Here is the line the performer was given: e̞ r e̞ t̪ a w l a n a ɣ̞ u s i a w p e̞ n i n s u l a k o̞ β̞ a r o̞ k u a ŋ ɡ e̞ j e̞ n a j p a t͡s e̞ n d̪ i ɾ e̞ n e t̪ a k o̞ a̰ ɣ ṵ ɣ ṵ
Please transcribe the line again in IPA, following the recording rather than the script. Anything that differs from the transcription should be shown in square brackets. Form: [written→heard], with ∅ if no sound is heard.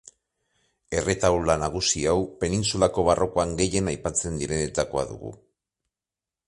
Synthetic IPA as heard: e̞ r e̞ t̪ a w l a n a ɣ̞ u s i a w p e̞ n i n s u l a k o̞ β̞ a r o̞ k [u→o] a ŋ ɡ e̞ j e̞ n a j p a t͡s e̞ n d̪ i ɾ e̞ n e t̪ a k o̞ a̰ [ɣ→ð] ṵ ɣ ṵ